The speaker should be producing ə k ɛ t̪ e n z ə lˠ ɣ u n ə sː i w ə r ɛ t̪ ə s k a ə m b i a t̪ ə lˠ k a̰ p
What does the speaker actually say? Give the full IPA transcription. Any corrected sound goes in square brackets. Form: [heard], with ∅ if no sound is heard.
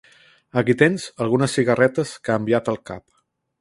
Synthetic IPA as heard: ə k [i] t̪ e n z ə lˠ ɣ u n ə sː i [ɣ] ə r ɛ t̪ ə s k a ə m b i a t̪ ə lˠ k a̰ p